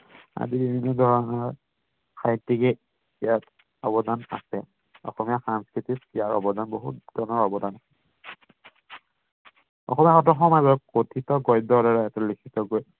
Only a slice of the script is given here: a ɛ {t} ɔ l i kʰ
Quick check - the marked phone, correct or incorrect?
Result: correct